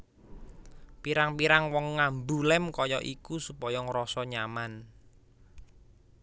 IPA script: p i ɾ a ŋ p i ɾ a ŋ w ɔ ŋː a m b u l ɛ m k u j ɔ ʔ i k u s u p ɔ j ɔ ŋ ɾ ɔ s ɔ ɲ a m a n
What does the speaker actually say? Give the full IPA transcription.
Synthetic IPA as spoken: p i ɾ a ŋ p i ɾ a ŋ w ɔ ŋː a m b u l ɛ m k ɔ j ɔ ʔ i k u s u p ɔ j ɔ ŋ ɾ ɔ s ɔ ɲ a m a n